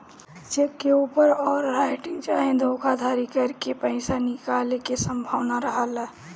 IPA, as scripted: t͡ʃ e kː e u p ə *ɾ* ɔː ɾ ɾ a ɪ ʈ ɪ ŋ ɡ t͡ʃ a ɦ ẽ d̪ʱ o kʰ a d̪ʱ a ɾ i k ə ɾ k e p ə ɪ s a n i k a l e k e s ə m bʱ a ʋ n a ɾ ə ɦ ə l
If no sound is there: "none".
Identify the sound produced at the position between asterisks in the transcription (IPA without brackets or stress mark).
ɾ